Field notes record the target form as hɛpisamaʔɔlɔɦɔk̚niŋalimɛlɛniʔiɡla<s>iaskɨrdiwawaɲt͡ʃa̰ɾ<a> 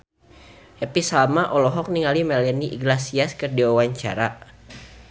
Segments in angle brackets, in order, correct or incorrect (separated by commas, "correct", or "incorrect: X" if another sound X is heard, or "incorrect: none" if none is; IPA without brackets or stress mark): correct, correct